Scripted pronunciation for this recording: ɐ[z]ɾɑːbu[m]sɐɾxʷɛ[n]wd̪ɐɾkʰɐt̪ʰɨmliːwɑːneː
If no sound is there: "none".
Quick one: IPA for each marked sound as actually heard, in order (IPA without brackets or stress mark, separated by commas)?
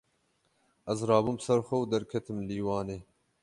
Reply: z, m, none